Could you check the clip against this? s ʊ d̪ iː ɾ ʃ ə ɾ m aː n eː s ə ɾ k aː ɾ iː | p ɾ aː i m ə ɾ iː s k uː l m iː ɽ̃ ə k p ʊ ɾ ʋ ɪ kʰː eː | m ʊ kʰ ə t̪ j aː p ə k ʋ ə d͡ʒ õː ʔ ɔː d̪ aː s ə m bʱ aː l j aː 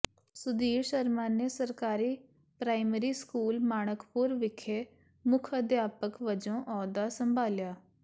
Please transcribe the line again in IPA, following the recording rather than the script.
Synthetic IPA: s ʊ d̪ iː ɾ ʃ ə ɾ m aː n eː s ə ɾ k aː ɾ iː | p ɾ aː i m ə ɾ iː s k uː l m aː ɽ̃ ə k p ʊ ɾ ʋ ɪ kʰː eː | m ʊ kʰ ə d̪ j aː p ə k ʋ ə d͡ʒ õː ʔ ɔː d̪ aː s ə m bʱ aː l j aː